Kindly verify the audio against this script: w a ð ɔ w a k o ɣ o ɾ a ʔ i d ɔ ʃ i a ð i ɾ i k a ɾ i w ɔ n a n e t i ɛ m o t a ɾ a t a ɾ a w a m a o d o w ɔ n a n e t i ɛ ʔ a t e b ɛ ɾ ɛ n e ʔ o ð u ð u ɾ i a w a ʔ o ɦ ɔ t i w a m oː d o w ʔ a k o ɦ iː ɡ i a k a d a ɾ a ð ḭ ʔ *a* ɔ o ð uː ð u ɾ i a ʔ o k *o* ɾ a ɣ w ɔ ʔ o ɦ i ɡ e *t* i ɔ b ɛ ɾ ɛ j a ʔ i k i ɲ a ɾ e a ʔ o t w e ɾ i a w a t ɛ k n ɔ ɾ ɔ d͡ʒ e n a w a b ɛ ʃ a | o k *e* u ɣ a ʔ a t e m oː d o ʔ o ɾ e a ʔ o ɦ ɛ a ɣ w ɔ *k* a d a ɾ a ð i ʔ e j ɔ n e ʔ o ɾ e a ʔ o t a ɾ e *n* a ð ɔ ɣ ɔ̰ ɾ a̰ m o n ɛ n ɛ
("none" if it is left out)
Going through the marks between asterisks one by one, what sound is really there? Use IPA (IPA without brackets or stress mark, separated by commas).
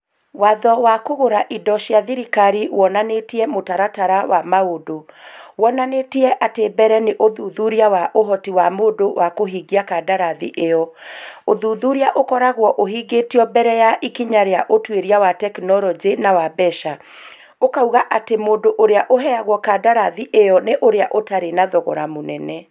e, ɔ, t, a, k, n